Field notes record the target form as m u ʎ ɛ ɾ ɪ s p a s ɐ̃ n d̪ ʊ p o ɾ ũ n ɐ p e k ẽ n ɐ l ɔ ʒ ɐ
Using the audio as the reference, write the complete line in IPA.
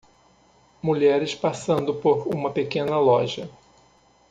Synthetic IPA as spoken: m u ʎ ɛ ɾ ɪ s p a s ɐ̃ n d̪ ʊ p o ɾ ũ m ɐ p e k ẽ n ɐ l ɔ ʒ ɐ